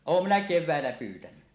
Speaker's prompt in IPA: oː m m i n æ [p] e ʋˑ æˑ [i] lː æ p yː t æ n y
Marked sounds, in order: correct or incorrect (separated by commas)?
incorrect, incorrect